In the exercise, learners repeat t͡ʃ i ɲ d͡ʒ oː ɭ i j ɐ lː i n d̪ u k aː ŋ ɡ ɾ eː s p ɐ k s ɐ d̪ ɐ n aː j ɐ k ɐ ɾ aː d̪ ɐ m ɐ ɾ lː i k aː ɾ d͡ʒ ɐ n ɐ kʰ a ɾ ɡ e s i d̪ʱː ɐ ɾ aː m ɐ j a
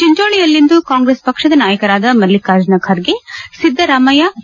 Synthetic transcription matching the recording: t͡ʃ i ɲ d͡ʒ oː ɭ i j ɐ lː i n d̪ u k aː ŋ ɡ ɾ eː s p ɐ k ʂ ɐ d̪ ɐ n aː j ɐ k ɐ ɾ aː d̪ ɐ m ɐ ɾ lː i k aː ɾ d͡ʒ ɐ n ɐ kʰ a ɾ ɡ e s i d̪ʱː ɐ ɾ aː m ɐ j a